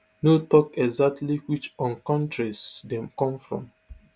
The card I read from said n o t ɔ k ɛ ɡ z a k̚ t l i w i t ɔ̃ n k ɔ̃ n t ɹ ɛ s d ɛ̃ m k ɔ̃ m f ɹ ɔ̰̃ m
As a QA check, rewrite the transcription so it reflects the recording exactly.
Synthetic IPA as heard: n o t ɔ k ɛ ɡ z a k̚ t l i w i t͡ʃ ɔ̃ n k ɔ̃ n t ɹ i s d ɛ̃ m k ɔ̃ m f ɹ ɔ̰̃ m